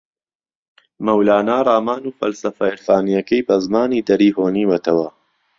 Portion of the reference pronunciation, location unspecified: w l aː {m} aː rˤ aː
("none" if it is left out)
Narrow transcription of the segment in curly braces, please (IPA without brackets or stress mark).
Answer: n